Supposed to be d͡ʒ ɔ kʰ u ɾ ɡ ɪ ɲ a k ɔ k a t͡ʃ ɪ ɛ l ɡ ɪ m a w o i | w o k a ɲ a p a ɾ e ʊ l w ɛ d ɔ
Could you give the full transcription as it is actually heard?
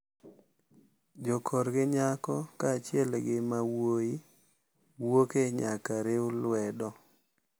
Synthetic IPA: d͡ʒ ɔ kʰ ɔ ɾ ɡ ɪ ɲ a k ɔ k a t͡ʃ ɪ ɛ l ɡ ɪ m a w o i | w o k e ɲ a k a ɾ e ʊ l w ɛ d ɔ